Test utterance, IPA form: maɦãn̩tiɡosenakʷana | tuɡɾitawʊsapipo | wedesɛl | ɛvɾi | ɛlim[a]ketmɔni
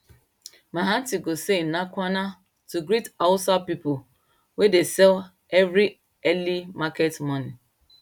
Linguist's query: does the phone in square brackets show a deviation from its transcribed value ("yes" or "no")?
no